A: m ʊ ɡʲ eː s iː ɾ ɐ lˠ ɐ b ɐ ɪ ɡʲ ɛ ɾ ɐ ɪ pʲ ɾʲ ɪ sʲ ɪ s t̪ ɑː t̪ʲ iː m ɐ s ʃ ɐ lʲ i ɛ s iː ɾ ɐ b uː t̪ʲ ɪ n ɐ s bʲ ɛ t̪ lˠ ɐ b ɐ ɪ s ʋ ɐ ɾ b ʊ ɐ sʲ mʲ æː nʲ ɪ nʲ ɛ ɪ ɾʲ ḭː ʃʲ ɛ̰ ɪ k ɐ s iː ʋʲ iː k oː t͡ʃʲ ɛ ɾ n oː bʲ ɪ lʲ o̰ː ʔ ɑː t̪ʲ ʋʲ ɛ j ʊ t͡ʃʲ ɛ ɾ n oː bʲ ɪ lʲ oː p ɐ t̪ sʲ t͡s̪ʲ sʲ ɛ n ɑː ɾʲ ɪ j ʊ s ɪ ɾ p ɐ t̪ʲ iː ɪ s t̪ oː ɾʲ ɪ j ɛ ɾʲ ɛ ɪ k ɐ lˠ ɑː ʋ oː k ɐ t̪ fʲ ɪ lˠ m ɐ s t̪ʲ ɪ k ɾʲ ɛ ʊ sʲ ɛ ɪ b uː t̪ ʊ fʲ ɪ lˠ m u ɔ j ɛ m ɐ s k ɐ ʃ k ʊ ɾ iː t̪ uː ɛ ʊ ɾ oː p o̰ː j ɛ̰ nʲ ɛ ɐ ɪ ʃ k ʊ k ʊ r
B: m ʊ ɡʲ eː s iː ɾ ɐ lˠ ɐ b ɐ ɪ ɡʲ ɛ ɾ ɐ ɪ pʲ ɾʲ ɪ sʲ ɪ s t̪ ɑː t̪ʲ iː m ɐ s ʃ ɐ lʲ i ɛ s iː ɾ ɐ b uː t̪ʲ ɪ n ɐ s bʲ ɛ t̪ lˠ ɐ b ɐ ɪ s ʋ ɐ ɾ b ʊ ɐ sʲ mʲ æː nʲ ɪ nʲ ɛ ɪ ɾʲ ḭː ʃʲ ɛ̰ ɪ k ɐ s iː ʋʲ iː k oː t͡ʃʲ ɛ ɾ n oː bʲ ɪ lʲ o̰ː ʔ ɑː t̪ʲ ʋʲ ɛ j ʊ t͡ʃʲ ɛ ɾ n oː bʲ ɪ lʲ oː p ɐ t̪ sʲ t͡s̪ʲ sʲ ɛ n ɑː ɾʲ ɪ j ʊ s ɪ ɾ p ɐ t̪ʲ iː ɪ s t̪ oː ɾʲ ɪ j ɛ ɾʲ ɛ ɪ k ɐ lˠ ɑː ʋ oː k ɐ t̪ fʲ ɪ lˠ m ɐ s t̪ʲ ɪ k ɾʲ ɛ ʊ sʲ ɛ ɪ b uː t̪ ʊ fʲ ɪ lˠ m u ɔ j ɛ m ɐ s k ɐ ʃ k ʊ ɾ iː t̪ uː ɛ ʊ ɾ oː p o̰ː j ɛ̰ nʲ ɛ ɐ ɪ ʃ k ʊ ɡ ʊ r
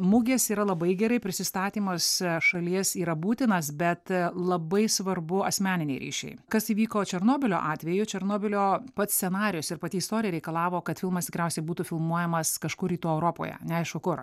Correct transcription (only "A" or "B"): A